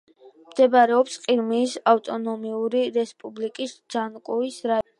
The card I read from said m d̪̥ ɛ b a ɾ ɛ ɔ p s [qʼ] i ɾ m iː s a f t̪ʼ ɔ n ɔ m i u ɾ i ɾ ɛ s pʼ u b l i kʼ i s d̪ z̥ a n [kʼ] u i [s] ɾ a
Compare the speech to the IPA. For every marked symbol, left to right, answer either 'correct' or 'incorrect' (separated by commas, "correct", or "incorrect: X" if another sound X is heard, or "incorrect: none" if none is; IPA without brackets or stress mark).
correct, correct, correct